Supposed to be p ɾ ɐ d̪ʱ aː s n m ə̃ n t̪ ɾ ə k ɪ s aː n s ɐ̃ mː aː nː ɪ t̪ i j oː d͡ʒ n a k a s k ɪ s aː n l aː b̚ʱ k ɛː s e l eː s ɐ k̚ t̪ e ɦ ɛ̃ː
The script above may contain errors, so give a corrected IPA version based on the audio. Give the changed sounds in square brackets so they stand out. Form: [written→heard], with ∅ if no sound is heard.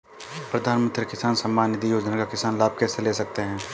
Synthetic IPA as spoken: p ɾ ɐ d̪ʱ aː [s→∅] n m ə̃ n t̪ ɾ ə k ɪ s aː n s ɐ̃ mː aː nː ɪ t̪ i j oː d͡ʒ n a k a [s→∅] k ɪ s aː n l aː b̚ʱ k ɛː s e l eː s ɐ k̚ t̪ e ɦ ɛ̃ː